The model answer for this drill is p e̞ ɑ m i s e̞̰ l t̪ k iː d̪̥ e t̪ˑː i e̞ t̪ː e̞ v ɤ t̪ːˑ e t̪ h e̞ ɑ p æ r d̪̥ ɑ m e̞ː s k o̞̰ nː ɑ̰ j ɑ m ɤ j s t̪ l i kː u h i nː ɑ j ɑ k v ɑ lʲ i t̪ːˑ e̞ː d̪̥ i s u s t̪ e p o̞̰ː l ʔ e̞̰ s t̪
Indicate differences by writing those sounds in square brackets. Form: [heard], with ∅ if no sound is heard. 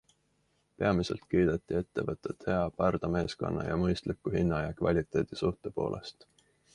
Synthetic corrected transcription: p e̞ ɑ m i s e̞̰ l t̪ k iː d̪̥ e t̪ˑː i e̞ t̪ː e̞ v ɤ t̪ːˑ e t̪ h e̞ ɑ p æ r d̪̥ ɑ m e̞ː s k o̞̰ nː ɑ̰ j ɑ m ɤ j s t̪ l i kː u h i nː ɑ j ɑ k v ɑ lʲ i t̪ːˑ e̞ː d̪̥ i s u [h] t̪ e p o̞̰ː l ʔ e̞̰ s t̪

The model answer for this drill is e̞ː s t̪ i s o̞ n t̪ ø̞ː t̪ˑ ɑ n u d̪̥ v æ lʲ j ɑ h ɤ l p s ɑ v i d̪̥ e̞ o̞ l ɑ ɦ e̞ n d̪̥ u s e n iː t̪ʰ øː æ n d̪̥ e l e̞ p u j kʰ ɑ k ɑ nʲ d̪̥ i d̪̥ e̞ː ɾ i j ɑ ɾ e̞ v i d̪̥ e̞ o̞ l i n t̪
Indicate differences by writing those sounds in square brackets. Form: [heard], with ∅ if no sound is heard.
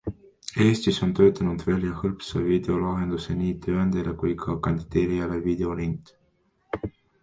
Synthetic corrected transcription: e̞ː s t̪ i s o̞ n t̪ ø̞ː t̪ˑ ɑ n u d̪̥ v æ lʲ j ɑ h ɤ l p s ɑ v i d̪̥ e̞ o̞ l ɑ ɦ e̞ n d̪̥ u s e n iː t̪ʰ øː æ n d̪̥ e l e̞ [k] u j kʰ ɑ k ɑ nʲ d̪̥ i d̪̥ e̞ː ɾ i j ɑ [l] e̞ v i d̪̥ e̞ o̞ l i n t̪

